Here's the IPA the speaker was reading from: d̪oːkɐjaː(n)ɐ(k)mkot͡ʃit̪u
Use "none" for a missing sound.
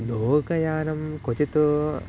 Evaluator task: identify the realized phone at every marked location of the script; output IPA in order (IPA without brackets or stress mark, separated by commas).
n, none